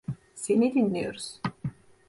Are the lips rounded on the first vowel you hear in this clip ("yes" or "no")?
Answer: no